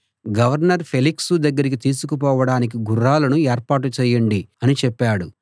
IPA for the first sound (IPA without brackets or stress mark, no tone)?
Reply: ɡ